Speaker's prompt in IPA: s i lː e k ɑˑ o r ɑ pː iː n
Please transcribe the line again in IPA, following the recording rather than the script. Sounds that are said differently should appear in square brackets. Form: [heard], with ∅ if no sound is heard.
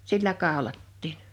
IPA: s i lː [æ] k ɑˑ o [l] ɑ [tː] iː n